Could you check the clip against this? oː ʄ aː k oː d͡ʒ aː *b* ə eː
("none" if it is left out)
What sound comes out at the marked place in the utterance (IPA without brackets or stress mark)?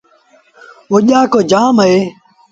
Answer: m